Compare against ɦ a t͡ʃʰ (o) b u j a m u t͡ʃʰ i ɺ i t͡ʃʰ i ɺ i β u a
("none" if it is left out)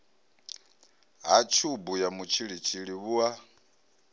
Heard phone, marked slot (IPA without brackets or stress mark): u